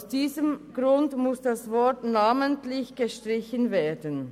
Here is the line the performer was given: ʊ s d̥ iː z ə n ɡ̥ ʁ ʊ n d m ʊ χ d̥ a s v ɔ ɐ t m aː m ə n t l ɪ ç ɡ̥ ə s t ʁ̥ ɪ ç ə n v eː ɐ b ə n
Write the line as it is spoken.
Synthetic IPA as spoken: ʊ s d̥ iː z ə m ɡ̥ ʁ ʊ n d m ʊ s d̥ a s v ɔ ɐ t n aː m ə n t l ɪ ç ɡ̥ ə ʃ t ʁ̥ ɪ ç ə n v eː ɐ d ə n